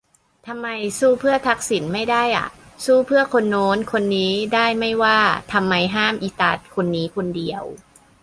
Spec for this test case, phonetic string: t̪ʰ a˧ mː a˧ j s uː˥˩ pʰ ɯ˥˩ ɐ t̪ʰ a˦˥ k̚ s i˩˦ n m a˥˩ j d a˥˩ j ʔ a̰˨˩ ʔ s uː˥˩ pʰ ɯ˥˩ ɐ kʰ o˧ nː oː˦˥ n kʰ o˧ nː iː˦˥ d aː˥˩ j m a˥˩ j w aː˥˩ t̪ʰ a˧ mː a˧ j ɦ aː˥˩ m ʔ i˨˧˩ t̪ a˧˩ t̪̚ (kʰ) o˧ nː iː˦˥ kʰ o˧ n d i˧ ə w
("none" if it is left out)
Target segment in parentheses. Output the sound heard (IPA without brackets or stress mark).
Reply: kʰ